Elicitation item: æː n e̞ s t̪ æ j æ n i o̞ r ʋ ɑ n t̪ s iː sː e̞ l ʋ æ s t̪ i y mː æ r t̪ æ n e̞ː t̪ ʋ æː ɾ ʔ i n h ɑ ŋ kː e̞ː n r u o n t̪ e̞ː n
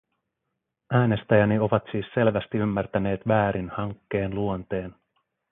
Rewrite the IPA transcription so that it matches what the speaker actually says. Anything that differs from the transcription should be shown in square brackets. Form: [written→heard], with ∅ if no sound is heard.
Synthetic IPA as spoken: æː n e̞ s t̪ æ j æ n i o̞ [r→∅] ʋ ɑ [n→∅] t̪ s iː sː e̞ l ʋ æ s t̪ i y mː æ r t̪ æ n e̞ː t̪ ʋ æː ɾ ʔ i n h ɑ ŋ kː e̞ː n [r→l] u o n t̪ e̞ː n